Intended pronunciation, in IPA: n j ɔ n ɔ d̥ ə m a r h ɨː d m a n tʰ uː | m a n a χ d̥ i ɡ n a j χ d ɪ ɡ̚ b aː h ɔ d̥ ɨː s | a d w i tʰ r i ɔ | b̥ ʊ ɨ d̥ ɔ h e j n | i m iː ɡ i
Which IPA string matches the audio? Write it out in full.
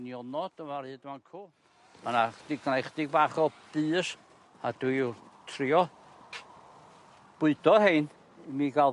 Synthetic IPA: n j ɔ n ɔ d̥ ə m a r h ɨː d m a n kʰ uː | m a n a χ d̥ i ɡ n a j χ d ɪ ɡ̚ b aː χ ɔ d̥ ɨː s | a d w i tʰ r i ɔ | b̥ ʊ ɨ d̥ ɔ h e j n | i m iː ɡ a